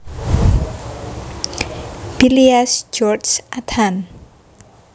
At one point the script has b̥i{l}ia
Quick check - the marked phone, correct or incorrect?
correct